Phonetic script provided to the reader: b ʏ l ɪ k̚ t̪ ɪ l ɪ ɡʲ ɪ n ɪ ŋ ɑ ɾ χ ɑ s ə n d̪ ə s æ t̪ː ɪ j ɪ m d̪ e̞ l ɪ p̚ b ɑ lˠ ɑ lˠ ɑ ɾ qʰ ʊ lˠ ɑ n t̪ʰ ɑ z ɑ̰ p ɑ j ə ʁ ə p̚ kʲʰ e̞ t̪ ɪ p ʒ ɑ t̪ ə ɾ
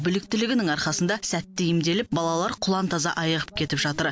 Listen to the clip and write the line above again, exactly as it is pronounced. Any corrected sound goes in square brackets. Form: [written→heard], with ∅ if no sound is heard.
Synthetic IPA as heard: b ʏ l ɪ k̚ t̪ ɪ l ɪ ɡʲ ɪ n ɪ ŋ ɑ ɾ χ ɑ s ə n d̪ [ə→ɑ] s æ t̪ː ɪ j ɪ m d̪ e̞ l ɪ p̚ b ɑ lˠ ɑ lˠ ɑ ɾ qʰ ʊ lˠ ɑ n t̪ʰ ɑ z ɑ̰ [p→ʔ] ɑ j ə ʁ ə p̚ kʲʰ e̞ t̪ ɪ p ʒ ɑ t̪ ə ɾ